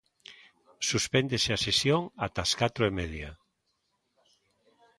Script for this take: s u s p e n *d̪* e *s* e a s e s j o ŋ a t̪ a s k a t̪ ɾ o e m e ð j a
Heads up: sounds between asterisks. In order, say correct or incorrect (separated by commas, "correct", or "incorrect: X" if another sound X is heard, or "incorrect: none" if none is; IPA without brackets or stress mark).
correct, correct